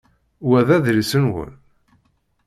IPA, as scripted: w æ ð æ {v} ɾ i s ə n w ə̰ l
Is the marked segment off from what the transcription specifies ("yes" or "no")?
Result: yes